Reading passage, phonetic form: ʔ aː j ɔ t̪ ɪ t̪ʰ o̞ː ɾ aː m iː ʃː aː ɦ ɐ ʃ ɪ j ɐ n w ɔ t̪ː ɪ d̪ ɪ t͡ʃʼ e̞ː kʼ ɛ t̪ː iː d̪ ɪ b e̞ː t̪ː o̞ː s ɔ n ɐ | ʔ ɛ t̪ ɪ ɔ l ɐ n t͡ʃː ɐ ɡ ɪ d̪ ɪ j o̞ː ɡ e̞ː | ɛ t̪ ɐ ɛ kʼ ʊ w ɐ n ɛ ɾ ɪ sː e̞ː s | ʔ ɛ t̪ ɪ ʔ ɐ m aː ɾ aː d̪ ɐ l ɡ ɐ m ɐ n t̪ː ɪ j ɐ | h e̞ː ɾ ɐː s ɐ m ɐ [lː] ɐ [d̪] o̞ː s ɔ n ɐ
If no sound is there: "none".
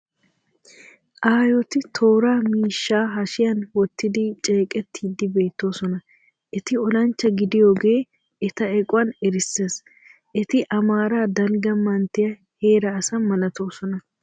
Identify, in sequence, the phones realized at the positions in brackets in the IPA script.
l, t̪

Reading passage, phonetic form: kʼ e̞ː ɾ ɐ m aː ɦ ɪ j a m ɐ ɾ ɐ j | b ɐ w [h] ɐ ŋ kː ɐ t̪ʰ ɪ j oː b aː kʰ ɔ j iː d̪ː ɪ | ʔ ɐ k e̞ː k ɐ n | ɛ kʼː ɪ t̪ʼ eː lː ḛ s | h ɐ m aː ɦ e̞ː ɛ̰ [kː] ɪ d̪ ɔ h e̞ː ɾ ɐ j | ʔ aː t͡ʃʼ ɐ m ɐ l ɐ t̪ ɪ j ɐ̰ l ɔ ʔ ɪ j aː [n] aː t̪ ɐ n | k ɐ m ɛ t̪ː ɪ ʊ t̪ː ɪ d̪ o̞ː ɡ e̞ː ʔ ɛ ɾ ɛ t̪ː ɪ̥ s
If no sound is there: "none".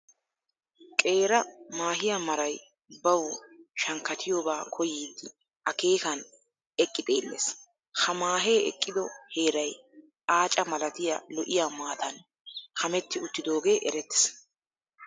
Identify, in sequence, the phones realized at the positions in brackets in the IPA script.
ʃ, kʼː, m

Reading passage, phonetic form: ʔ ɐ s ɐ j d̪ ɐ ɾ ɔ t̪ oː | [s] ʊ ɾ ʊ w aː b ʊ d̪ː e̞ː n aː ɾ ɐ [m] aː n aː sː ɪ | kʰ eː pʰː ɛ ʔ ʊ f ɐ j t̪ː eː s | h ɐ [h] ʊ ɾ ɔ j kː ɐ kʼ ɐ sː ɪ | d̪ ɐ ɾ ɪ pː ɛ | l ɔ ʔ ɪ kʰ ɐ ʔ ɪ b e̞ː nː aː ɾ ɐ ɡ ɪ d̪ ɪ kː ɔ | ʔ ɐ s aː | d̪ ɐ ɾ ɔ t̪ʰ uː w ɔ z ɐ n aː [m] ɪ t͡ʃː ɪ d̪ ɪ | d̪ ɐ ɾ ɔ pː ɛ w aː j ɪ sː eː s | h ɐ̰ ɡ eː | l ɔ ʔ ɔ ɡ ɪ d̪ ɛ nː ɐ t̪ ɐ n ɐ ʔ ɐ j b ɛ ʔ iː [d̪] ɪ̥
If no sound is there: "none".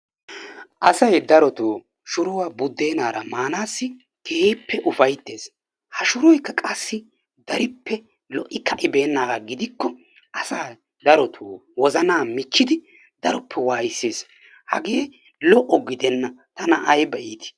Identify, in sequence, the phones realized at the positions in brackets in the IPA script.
ʃ, m, ʃ, m, t̪

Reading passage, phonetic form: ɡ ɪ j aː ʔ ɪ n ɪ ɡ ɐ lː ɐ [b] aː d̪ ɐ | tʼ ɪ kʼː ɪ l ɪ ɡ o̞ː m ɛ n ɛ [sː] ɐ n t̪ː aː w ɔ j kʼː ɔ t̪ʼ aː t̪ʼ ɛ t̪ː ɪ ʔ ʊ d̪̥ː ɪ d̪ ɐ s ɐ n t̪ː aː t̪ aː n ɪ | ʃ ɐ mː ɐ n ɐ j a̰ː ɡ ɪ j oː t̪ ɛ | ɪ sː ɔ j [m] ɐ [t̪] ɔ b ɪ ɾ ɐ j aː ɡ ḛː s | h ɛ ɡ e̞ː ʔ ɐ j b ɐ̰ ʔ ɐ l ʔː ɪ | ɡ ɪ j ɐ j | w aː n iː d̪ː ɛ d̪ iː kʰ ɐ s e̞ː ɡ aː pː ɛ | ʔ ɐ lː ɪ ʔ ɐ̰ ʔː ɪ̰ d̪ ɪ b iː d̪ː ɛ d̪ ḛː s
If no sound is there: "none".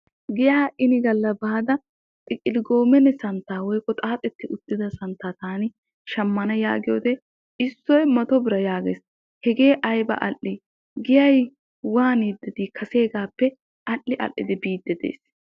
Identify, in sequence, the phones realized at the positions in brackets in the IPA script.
b, s, m, t̪

